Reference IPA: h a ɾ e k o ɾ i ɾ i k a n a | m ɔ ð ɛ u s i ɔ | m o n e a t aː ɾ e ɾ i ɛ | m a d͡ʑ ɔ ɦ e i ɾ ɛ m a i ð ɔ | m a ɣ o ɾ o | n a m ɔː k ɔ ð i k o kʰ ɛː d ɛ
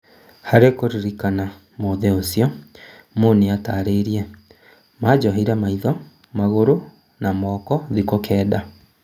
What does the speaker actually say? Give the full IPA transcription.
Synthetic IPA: h a ɾ e k o ɾ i ɾ i k a n a | m o ð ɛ o s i ɔ | m o n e a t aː ɾ e ɾ i ɛ | m a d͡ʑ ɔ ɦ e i ɾ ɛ m a i ð ɔ | m a ɣ o ɾ o | n a m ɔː k ɔ ð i k o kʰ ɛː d a